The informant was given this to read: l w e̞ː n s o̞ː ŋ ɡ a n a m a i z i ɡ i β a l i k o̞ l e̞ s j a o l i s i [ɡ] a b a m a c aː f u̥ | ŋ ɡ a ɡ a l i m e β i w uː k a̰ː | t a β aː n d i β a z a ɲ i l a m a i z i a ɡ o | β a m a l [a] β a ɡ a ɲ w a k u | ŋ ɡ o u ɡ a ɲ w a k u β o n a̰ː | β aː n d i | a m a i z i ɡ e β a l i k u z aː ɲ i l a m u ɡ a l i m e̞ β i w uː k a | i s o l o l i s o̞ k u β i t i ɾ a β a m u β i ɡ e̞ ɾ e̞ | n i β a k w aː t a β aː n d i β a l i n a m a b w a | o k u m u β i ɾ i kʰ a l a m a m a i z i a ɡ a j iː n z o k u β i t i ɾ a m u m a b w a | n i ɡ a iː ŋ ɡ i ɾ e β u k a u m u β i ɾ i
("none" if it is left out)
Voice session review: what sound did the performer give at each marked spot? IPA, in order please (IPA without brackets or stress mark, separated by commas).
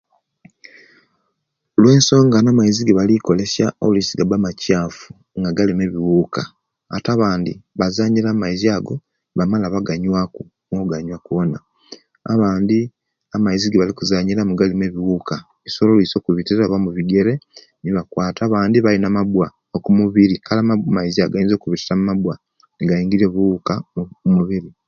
ɡ, a